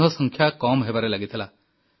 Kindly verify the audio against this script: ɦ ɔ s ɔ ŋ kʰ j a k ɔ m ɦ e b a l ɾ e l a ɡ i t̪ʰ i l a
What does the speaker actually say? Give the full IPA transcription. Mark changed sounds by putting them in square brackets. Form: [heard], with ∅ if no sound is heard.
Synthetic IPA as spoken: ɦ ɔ s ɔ ŋ kʰ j a k ɔ m ɦ e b a [∅] ɾ e l a ɡ i t̪ʰ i l a

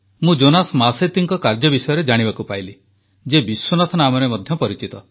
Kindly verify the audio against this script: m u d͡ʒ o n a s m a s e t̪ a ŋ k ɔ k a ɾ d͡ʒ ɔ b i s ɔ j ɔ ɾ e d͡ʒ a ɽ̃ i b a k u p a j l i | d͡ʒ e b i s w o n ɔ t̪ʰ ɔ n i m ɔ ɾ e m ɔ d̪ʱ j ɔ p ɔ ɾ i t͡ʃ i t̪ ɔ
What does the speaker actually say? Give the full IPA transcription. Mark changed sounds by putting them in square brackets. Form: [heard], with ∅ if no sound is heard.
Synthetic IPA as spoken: m [ũ] d͡ʒ o n a s m a s e t̪ [i] ŋ k ɔ k a ɾ d͡ʒ ɔ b i s ɔ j ɔ ɾ e d͡ʒ a ɽ̃ i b a k u p a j l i | d͡ʒ e b i s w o n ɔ t̪ʰ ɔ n [a] m ɔ ɾ e m ɔ d̪ʱ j ɔ p ɔ ɾ i t͡ʃ i t̪ ɔ

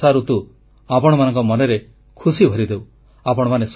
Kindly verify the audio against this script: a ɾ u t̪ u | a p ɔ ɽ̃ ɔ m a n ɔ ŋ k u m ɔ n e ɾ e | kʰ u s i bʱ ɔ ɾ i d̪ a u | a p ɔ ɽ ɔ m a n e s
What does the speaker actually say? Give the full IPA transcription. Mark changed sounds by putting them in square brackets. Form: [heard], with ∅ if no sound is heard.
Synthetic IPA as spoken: a ɾ u t̪ u | a p ɔ ɽ̃ ɔ m a n ɔ ŋ k [ɔ] m ɔ n e ɾ e | kʰ u s i bʱ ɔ ɾ i d̪ [e] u | a p ɔ ɽ ɔ m a n e s

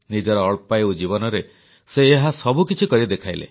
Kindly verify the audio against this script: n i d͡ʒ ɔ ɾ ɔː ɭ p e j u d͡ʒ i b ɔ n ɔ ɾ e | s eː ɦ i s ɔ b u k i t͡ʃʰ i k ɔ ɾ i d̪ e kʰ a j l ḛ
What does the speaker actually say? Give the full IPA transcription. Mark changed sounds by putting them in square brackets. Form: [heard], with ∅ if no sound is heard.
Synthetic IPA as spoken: n i d͡ʒ ɔ ɾ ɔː ɭ p [a] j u d͡ʒ i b ɔ n ɔ ɾ e | s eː ɦ [a] s ɔ b u k i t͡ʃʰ i k ɔ ɾ i d̪ e kʰ a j l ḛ

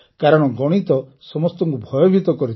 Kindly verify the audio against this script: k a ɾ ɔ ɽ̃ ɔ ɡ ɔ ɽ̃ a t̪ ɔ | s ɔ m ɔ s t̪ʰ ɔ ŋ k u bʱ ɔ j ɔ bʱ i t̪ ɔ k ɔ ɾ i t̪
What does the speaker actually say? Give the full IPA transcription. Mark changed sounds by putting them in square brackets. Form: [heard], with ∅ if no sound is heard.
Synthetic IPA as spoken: k a ɾ ɔ ɽ̃ ɔ ɡ ɔ ɽ̃ [i] t̪ ɔ | s ɔ m ɔ s [t̪] ɔ ŋ k u bʱ ɔ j ɔ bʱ i t̪ ɔ k ɔ ɾ i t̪

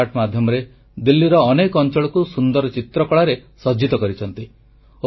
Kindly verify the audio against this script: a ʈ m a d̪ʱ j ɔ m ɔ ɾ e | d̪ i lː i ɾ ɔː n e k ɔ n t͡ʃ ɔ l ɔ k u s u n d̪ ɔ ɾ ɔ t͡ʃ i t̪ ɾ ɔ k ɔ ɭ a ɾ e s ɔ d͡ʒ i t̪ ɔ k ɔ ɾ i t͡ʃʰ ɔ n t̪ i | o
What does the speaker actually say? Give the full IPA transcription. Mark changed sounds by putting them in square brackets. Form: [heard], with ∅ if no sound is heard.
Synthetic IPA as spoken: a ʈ m a d̪ʱ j ɔ m ɔ ɾ e | d̪ i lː i ɾ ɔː n e k ɔ n t͡ʃ ɔ [ɭ] ɔ k u s u n d̪ ɔ ɾ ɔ t͡ʃ i t̪ ɾ ɔ k ɔ ɭ a ɾ e s ɔ d͡ʒ i t̪ ɔ k ɔ ɾ i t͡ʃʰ ɔ n t̪ i | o

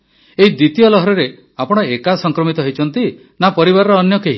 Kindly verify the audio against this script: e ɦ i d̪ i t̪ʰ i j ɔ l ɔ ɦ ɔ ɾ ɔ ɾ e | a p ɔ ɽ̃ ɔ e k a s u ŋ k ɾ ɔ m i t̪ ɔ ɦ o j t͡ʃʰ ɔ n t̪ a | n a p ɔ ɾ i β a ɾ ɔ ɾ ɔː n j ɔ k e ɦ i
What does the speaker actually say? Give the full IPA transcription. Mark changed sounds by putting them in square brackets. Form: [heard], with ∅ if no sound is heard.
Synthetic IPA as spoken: e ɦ i d̪ i [t̪] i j ɔ l ɔ ɦ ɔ ɾ ɔ ɾ e | a p ɔ ɽ̃ ɔ e k a s [ɔ] ŋ k ɾ ɔ m i t̪ ɔ ɦ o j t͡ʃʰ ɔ n t̪ [i] | n a p ɔ ɾ i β a ɾ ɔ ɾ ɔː n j ɔ k e ɦ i

